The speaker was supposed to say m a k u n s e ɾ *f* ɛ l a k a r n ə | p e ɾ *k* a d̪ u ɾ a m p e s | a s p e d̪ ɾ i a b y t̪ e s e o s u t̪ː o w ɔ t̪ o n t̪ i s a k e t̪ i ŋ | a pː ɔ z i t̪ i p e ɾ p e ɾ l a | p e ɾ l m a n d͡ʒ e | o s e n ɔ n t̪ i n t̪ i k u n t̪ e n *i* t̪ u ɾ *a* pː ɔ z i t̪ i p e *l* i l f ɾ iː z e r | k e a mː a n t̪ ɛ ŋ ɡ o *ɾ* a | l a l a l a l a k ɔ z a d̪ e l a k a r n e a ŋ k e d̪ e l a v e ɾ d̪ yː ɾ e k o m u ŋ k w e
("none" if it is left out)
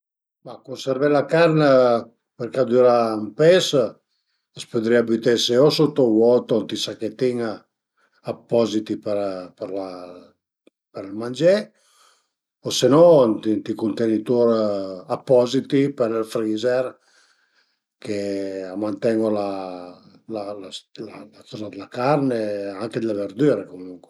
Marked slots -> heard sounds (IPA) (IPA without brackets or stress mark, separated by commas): v, k, i, a, ɾ, l